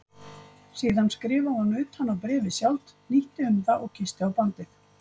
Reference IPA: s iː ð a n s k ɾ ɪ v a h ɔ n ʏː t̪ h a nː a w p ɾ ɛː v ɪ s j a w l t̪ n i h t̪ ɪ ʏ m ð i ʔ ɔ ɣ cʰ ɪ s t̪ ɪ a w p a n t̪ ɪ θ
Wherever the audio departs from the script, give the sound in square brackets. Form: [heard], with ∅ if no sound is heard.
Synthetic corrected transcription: s iː ð a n s k ɾ [ɪː] v a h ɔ n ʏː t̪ h a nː a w p ɾ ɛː v ɪ s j a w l t̪ n i h t̪ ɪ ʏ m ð [a] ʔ ɔ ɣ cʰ ɪ s t̪ ɪ a w p a n t̪ ɪ θ